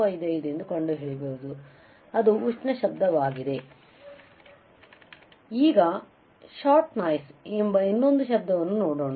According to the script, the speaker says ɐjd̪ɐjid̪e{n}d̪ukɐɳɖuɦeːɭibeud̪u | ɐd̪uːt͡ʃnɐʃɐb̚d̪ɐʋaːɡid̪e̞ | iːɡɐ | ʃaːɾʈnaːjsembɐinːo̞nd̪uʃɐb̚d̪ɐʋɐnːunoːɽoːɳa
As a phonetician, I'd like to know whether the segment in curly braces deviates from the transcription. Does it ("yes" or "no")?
no